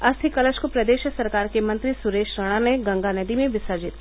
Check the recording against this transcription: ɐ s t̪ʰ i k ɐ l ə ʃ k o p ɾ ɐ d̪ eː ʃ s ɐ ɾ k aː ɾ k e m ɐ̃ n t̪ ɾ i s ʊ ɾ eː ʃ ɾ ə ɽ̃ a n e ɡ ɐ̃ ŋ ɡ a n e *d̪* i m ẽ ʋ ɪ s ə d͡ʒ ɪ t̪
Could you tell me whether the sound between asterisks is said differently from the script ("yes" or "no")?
no